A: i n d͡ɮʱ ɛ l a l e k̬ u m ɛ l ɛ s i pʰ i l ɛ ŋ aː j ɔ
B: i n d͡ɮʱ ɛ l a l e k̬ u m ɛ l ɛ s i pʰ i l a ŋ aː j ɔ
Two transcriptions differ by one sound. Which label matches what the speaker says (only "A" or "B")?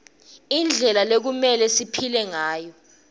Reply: A